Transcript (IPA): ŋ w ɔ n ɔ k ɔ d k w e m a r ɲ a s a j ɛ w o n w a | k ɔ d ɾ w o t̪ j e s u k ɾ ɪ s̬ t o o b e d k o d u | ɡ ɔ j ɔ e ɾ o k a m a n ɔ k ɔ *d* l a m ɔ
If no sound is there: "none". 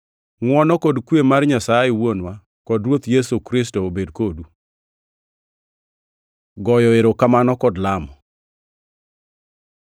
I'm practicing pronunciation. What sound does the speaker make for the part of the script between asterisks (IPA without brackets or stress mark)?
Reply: d